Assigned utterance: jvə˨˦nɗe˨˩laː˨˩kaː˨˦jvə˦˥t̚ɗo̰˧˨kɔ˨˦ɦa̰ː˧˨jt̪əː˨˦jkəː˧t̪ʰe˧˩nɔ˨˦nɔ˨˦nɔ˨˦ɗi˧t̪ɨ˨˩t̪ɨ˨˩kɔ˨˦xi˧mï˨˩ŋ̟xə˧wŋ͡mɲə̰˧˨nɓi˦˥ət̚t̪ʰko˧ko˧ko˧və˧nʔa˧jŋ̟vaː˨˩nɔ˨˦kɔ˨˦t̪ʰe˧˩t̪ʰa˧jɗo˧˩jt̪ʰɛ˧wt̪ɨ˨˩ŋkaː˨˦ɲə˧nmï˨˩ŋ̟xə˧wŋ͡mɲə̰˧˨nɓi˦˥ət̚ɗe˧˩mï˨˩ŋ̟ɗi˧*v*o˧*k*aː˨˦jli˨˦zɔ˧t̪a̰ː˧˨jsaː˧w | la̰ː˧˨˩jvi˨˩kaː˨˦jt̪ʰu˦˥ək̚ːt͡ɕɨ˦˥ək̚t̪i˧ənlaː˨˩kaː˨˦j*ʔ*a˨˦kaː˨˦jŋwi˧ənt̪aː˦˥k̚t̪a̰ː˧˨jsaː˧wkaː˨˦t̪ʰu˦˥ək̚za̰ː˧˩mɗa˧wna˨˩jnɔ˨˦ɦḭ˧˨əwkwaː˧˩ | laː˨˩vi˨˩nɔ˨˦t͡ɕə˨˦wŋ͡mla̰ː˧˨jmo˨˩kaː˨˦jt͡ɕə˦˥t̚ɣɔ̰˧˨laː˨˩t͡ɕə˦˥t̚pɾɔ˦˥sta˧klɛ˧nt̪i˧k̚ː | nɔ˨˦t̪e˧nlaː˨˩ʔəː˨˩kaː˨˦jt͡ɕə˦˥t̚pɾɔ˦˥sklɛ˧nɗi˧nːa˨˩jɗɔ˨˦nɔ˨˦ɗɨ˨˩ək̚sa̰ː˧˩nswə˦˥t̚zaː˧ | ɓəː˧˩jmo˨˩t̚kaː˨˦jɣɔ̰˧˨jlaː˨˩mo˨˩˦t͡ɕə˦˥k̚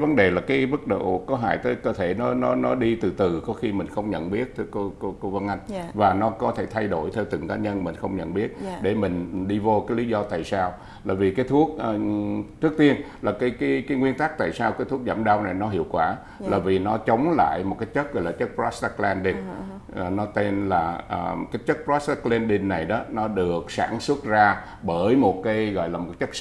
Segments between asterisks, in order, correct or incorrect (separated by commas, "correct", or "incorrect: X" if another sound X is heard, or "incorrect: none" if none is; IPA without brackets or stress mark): correct, correct, incorrect: k